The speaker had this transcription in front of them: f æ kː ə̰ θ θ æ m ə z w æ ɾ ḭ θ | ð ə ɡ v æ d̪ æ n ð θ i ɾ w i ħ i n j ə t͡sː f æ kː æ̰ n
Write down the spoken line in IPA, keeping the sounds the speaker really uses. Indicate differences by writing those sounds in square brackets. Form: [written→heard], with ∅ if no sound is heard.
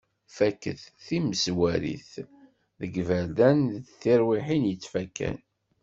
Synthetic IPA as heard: f æ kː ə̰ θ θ [æ→i] m ə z w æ ɾ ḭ θ | ð ə ɡ v æ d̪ æ n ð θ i ɾ w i ħ i n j ə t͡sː f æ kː æ̰ n